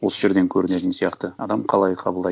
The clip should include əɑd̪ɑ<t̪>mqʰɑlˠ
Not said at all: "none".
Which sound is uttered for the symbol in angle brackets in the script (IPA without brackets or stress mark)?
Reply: none